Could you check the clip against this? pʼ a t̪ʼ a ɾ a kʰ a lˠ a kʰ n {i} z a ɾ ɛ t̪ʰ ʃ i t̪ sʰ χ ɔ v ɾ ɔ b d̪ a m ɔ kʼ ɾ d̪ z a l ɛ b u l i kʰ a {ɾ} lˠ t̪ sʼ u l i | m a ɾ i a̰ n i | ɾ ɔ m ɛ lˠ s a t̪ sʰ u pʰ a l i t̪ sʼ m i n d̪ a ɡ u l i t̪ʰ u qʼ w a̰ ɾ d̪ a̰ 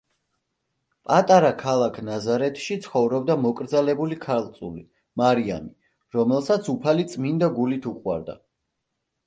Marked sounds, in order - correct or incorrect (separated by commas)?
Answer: incorrect, correct